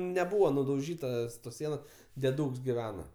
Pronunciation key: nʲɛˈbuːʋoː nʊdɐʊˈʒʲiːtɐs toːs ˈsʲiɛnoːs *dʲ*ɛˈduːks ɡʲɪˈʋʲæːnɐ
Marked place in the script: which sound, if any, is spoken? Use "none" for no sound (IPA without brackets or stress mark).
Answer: dʲ